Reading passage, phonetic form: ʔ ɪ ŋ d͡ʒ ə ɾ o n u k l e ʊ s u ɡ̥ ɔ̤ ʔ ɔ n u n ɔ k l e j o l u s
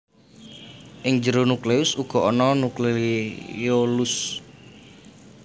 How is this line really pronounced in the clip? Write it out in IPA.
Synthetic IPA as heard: ʔ ɪ ŋ d͡ʒ ə ɾ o n u k l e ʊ s u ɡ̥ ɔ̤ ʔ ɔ n ɔ n u k l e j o l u s